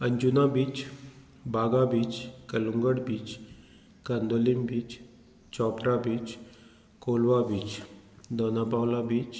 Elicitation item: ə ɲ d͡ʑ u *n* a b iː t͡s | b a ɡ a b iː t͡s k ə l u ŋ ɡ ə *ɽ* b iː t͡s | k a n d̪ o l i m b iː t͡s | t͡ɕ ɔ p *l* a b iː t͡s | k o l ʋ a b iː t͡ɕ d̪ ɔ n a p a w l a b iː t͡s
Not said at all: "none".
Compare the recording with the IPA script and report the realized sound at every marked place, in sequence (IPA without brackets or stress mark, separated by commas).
n, ɽ, ɾ